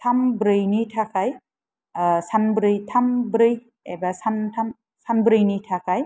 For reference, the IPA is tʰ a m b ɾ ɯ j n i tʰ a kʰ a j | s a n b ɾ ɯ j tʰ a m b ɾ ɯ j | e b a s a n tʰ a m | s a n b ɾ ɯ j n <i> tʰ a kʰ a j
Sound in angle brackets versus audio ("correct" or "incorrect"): correct